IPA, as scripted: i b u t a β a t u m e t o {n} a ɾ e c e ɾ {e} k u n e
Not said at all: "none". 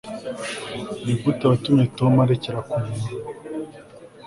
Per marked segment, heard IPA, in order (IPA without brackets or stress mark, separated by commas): m, a